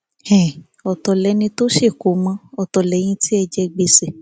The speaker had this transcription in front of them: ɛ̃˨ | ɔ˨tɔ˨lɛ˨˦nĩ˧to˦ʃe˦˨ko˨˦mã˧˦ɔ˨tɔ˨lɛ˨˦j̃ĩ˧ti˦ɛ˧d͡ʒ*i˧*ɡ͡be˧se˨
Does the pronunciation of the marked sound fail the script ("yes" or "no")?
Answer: yes